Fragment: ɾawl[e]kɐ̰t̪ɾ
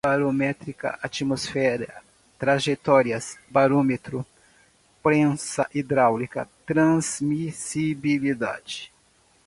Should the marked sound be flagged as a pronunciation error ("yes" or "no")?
yes